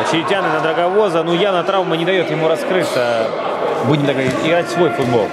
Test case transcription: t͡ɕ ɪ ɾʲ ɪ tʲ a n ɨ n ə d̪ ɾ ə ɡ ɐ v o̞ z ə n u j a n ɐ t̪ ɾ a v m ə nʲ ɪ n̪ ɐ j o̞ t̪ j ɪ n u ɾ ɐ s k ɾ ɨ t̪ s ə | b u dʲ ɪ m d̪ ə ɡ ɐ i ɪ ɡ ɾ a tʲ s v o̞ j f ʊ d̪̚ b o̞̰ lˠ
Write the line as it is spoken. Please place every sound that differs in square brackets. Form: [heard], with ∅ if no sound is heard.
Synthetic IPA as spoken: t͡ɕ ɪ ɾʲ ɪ tʲ a n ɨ n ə d̪ ɾ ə ɡ ɐ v o̞ z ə n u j a n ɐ t̪ ɾ a v m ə nʲ ɪ [d̪] ɐ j o̞ t̪ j ɪ [m] u ɾ ɐ s k ɾ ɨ t̪ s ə | b u dʲ ɪ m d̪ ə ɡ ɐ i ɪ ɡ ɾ a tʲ s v o̞ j f ʊ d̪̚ b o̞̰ lˠ